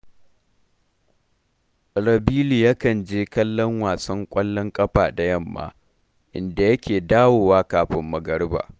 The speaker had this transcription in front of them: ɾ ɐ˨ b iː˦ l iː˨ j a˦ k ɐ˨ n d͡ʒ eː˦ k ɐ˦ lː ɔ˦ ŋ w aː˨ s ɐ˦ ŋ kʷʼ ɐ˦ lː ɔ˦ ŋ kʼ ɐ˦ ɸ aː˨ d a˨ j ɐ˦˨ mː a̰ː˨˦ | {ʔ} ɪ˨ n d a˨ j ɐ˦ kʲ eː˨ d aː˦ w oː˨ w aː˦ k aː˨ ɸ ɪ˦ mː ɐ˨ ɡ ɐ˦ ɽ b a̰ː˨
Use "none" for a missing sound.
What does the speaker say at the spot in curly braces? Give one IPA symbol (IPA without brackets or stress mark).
ʔ